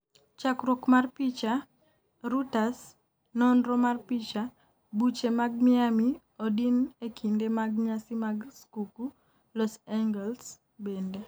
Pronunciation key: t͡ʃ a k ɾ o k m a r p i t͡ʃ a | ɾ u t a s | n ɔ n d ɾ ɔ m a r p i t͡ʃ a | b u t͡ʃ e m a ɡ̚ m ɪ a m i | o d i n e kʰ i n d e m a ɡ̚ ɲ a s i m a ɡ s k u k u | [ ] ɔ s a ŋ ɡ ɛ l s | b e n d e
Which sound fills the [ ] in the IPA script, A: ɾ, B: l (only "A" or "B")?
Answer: B